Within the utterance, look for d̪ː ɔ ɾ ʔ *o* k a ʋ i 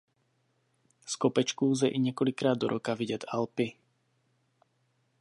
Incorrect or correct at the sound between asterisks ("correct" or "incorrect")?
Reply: incorrect